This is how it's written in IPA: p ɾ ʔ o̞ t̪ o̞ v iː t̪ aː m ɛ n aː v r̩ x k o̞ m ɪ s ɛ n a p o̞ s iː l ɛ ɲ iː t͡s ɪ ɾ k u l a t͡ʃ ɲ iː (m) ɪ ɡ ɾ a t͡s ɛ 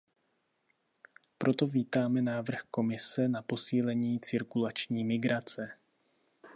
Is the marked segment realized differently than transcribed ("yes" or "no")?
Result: no